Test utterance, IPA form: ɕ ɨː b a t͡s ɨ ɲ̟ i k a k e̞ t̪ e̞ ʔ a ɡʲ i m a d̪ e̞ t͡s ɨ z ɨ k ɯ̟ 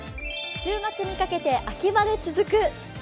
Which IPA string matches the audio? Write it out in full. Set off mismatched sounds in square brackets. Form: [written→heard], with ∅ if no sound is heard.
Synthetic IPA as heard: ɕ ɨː [b→m] a t͡s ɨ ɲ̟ i k a k e̞ t̪ e̞ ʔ a [ɡʲ→kʲ] i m a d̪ e̞ t͡s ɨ z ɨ k ɯ̟